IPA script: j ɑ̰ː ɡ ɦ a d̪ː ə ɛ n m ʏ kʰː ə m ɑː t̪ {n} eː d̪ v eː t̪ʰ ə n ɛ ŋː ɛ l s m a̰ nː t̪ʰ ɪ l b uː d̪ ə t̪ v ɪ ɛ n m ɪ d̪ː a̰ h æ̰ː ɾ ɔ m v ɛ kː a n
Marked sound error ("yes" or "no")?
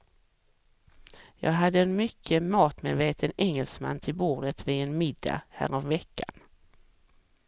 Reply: yes